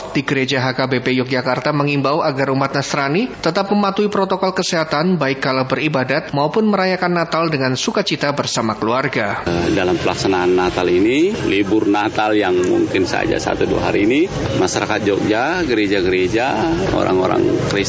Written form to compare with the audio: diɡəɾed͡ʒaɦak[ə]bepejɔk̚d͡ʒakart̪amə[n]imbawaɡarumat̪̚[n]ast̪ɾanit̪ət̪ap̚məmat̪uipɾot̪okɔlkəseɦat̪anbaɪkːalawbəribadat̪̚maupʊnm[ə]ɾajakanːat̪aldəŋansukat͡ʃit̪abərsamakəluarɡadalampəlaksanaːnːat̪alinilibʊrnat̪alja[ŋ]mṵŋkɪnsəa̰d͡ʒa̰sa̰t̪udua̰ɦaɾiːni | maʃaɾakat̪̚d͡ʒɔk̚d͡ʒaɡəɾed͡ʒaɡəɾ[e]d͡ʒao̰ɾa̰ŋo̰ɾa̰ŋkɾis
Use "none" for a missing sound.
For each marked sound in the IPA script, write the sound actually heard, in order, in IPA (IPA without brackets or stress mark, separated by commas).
a, ŋ, n, ə, ŋ, e